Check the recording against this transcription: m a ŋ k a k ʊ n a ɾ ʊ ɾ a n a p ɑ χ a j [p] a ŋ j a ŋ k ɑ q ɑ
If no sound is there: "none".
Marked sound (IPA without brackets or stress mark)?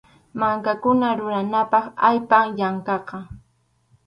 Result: p